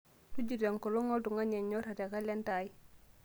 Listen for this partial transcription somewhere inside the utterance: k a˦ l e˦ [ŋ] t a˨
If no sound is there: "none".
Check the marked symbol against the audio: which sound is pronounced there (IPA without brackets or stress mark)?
n